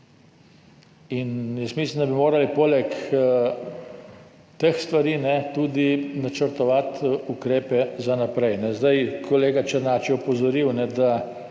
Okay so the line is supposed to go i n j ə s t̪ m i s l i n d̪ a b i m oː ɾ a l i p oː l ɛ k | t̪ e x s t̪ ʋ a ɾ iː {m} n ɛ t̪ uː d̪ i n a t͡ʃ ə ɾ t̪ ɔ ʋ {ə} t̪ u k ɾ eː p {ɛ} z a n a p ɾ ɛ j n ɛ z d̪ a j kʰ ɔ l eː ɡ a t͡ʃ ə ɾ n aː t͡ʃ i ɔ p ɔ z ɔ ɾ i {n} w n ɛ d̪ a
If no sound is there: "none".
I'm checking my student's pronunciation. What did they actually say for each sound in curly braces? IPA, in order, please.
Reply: none, a, ɛ, none

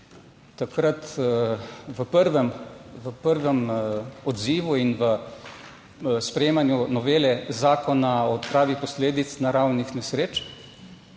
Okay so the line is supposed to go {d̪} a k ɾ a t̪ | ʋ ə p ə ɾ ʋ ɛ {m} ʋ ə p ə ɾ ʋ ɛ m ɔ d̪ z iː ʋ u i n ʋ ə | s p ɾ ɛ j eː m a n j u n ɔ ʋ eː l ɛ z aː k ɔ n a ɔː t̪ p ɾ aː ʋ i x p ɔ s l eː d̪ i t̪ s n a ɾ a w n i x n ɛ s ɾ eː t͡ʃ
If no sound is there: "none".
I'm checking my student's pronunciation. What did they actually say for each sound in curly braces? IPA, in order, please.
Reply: t̪, m

